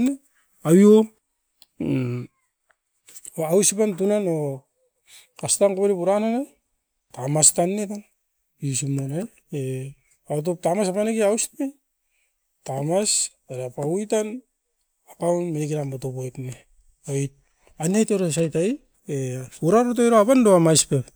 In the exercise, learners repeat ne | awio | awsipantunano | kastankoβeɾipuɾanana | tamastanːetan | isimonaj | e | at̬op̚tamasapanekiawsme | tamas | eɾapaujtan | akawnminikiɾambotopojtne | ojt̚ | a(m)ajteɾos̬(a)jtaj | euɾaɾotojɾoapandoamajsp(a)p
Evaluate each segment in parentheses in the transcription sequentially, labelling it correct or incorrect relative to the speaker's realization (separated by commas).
incorrect, correct, incorrect